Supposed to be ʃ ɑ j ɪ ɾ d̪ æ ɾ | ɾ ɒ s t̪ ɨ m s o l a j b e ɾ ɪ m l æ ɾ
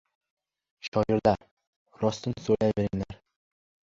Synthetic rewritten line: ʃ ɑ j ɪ ɾ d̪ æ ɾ | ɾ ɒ s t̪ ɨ n s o l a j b e ɾ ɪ ŋ l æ ɾ

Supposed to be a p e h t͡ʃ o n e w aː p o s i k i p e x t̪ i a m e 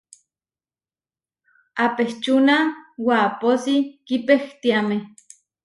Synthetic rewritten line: a p e h t͡ʃ u n a w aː p o s i k i p e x t̪ i a m e

